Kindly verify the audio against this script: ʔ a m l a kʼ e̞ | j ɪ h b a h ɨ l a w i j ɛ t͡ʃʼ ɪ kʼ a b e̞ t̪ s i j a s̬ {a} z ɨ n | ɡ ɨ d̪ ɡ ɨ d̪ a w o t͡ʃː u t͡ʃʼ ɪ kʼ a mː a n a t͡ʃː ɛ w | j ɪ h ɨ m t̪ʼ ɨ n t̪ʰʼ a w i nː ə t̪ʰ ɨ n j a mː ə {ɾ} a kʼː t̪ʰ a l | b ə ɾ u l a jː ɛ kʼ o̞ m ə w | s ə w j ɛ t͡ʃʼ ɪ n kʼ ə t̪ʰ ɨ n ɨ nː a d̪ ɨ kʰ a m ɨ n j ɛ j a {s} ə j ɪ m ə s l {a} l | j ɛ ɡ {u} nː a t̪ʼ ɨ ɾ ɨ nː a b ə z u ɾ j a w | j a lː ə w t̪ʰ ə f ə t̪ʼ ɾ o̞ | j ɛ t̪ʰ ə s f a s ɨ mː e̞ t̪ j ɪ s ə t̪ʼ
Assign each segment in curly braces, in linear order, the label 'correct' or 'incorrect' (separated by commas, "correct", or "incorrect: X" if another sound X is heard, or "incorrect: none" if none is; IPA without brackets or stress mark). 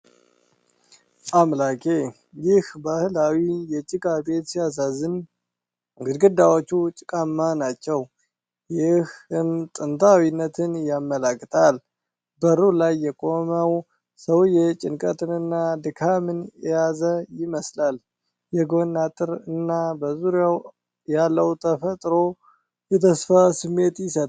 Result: correct, incorrect: l, incorrect: z, correct, incorrect: o